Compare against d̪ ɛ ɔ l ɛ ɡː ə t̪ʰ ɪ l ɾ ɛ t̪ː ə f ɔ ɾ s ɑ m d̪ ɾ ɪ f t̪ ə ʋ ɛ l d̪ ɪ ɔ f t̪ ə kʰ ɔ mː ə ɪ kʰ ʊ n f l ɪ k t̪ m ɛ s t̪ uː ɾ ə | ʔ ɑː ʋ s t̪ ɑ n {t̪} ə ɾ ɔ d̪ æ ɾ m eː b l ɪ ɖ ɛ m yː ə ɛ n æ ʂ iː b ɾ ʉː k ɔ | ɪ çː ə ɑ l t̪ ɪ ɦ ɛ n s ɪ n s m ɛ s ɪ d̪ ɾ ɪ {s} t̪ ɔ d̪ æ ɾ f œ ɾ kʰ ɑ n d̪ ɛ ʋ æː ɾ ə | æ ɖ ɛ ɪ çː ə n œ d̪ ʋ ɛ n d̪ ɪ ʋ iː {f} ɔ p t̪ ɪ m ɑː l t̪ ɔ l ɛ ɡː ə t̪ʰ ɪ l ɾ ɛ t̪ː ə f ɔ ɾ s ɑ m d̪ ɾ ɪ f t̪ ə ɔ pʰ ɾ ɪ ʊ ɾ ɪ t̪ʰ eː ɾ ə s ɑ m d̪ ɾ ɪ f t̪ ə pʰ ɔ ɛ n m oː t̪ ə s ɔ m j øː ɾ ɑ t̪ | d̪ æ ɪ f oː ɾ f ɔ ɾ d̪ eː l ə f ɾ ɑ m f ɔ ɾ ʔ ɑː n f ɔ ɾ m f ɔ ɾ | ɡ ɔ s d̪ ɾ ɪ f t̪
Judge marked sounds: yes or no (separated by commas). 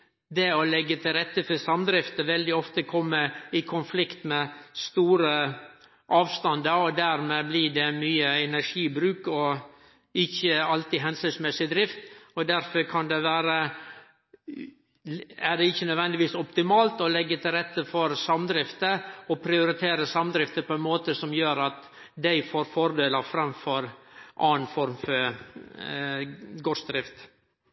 no, no, no